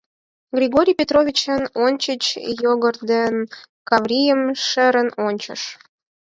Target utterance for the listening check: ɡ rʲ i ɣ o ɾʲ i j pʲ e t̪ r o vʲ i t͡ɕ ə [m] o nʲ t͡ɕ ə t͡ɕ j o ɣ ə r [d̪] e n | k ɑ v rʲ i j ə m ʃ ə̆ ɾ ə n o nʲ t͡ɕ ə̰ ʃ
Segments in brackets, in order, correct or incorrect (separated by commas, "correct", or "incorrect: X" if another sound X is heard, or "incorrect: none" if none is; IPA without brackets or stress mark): incorrect: n, correct